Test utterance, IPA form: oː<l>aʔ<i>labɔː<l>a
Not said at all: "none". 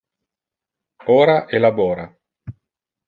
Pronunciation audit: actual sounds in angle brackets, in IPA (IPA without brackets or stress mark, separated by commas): ɾ, e, ɾ